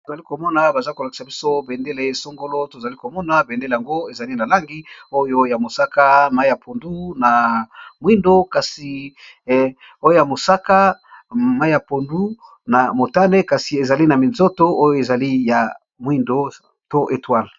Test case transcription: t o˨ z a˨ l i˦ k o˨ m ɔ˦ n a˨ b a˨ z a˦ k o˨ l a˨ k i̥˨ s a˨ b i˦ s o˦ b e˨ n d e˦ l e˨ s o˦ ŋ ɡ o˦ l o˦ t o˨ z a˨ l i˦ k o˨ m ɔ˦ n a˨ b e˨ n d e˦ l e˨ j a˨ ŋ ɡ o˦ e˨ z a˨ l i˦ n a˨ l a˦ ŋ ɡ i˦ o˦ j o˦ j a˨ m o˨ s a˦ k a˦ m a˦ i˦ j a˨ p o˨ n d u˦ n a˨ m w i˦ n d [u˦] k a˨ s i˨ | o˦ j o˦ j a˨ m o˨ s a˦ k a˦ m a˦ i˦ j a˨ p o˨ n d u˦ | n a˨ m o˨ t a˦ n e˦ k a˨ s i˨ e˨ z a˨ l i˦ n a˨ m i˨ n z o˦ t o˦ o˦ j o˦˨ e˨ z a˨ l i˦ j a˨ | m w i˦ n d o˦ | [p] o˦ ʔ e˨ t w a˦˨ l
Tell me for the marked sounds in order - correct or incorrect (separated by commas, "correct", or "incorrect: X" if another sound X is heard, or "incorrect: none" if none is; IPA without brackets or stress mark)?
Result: incorrect: o˦, incorrect: t